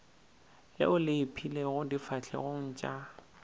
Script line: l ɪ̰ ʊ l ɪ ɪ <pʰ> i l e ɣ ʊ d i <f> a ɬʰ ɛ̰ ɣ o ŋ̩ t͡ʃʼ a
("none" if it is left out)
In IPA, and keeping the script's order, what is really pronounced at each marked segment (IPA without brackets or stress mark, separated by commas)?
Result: pʰ, f